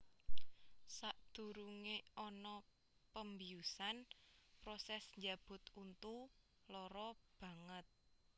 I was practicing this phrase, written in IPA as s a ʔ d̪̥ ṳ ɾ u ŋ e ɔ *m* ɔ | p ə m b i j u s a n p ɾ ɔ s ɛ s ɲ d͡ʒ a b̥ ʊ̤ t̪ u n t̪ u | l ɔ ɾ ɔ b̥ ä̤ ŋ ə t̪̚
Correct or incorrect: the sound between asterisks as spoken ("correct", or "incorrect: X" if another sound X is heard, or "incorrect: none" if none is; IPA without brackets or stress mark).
incorrect: n